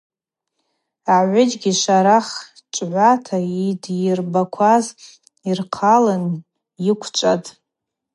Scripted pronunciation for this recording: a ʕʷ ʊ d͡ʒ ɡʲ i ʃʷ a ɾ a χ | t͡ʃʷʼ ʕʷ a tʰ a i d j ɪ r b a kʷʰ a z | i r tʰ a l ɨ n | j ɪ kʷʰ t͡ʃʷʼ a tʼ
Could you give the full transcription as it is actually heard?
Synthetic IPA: a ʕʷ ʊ d͡ʒ ɡʲ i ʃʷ a ɾ a χ | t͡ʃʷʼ ʕʷ a tʰ a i d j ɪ r b a kʷʰ a z | i r qʰ a l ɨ n | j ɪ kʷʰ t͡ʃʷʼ a tʼ

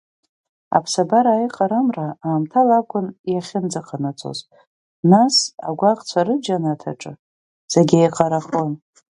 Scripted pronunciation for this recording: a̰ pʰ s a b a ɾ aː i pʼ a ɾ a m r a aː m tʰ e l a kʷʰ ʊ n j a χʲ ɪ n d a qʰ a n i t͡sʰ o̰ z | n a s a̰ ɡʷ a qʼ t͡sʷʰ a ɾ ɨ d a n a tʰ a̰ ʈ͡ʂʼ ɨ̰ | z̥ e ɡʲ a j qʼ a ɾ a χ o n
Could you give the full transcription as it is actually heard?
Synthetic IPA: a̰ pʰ s a b a ɾ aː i qʼ a ɾ a m r a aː m tʰ a l a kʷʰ ʊ n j a χʲ ɪ n d͡z a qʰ a n a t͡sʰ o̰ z | n a s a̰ ɡʷ a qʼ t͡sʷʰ a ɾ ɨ d͡ʒ a n a tʰ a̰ ʈ͡ʂʼ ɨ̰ | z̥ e ɡʲ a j qʼ a ɾ a χ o n

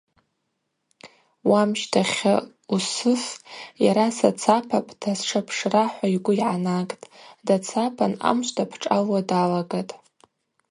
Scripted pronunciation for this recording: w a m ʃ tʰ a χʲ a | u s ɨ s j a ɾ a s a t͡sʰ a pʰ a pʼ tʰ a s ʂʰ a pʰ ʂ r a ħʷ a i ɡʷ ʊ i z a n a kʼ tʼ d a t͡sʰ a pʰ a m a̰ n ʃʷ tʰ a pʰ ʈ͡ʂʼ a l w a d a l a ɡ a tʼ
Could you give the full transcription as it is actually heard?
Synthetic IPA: w a m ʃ tʰ a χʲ a | u s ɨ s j a ɾ a s a t͡sʰ a pʰ a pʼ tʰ a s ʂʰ a pʰ ʂ r a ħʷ a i ɡʷ ʊ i ʕ a n a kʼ tʼ d a t͡sʰ a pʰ a n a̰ m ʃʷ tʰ a pʰ ʈ͡ʂʼ a l w a d a l a ɡ a tʼ

